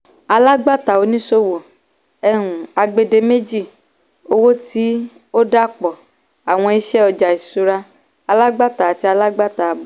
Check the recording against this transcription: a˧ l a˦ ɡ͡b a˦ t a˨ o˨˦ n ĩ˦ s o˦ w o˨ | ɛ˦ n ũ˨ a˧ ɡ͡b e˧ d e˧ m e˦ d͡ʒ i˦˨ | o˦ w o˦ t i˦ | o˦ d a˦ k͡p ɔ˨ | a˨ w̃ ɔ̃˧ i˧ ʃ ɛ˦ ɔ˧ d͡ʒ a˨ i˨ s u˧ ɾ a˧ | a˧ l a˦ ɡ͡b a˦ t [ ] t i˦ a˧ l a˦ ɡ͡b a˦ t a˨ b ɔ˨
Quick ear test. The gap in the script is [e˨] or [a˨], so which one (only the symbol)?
a˨